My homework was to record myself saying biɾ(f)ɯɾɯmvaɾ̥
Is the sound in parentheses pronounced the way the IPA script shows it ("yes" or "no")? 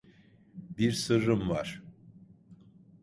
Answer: no